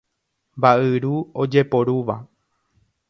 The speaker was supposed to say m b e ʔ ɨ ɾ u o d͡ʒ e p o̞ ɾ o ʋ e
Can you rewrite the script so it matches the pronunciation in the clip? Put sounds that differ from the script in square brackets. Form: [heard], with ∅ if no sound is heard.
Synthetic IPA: m b [a] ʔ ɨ ɾ u o d͡ʒ e p o̞ ɾ [u] ʋ [a]